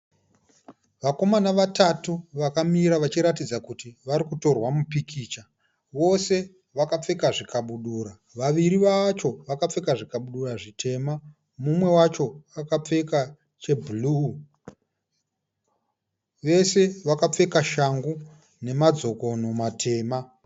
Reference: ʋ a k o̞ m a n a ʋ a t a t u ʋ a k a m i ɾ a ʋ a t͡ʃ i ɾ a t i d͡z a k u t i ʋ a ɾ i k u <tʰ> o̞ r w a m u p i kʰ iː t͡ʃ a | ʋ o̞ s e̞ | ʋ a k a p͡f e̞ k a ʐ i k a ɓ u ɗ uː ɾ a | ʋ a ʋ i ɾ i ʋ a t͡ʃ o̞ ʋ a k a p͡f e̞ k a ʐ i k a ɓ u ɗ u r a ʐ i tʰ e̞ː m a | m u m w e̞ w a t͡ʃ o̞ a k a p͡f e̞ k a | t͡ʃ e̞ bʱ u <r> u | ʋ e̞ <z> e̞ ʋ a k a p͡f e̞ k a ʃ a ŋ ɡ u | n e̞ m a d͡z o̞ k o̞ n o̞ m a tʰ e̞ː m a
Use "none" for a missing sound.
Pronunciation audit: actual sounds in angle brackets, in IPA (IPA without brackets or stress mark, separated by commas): t, l, s